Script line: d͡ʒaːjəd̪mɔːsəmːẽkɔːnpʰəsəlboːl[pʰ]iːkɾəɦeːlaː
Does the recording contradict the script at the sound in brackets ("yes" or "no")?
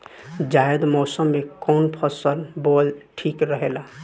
yes